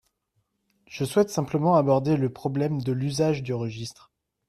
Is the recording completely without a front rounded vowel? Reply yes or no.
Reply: no